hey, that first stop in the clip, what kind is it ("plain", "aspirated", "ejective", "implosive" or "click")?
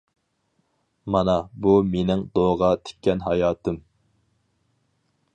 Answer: plain